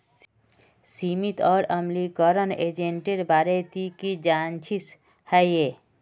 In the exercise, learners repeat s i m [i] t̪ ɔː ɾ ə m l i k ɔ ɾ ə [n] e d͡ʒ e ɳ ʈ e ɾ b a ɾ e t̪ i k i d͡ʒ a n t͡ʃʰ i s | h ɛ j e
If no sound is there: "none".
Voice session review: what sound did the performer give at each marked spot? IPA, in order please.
i, n

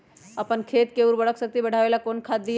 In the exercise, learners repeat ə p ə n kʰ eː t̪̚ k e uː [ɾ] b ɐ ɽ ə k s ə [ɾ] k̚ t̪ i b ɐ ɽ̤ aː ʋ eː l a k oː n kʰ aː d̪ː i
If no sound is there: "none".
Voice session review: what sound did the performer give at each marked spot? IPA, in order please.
ɾ, none

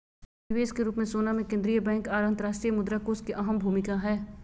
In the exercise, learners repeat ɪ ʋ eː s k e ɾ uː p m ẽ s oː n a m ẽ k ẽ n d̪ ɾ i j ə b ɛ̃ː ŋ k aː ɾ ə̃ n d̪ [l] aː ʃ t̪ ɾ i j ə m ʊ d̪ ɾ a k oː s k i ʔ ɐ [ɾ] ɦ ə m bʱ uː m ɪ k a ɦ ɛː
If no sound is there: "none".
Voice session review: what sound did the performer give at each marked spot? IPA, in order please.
ɾ, none

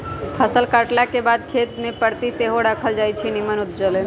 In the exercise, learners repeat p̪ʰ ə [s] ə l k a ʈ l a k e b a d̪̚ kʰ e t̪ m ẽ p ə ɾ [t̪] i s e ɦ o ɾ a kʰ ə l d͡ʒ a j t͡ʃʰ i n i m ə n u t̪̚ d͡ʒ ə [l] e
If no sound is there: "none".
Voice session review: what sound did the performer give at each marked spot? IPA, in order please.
s, t̪, l

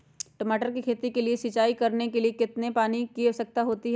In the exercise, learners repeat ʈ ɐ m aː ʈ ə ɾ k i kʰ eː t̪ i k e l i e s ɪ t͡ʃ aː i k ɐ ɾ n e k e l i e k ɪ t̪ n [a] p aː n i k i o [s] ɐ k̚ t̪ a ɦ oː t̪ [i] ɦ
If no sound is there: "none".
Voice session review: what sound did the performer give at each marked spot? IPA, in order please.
e, s, i

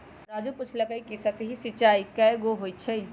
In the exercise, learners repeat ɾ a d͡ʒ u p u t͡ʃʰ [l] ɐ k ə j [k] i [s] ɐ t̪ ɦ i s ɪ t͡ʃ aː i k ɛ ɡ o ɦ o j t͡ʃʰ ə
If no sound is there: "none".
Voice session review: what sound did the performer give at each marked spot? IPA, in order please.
l, k, s

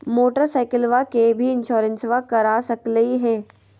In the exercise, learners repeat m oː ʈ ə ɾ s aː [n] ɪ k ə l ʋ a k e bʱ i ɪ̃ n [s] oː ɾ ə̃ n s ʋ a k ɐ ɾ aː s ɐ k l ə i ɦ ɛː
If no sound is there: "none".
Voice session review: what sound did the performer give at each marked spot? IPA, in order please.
none, ʃ

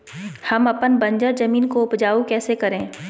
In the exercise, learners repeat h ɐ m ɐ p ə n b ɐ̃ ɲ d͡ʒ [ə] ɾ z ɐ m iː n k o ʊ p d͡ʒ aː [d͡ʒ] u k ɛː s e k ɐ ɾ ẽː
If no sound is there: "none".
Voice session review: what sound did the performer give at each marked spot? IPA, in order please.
ə, none

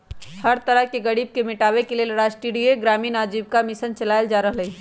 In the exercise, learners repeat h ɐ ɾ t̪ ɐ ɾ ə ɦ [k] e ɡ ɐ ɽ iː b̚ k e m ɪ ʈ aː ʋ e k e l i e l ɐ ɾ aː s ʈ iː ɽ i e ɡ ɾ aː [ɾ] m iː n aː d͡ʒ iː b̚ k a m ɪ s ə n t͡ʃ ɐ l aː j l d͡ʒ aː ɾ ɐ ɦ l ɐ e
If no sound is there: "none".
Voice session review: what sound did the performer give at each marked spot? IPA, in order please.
k, none

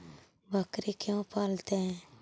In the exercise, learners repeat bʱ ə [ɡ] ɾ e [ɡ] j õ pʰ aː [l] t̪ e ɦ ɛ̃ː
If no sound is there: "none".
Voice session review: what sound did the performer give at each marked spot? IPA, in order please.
k, k, l

